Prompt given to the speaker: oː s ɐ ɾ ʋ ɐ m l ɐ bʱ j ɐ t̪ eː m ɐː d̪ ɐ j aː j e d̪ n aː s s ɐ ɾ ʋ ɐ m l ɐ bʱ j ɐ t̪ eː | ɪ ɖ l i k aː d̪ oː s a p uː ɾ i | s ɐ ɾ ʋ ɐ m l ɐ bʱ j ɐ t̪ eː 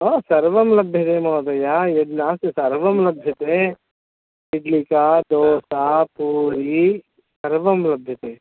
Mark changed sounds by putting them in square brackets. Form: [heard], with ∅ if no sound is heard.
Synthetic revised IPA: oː s ɐ ɾ ʋ ɐ m l ɐ bʱ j ɐ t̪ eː m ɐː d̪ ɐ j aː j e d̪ n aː s s ɐ ɾ ʋ ɐ m l ɐ bʱ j ɐ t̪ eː | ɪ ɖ l i k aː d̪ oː s a p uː ɾ i | s ɐ ɾ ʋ ɐ m l ɐ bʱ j ɐ t̪ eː